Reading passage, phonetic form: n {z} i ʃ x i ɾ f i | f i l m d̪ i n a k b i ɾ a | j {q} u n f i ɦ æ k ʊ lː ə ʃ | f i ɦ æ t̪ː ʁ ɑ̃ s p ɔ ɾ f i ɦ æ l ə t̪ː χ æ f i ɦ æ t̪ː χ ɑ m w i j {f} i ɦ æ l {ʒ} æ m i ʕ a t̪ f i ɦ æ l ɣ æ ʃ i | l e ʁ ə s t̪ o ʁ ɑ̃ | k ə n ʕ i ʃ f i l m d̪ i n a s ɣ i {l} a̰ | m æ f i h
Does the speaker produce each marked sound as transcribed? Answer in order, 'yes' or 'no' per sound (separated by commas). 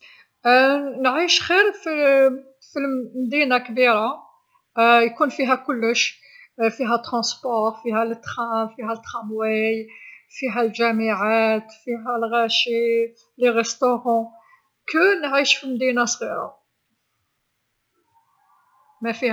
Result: no, no, yes, yes, no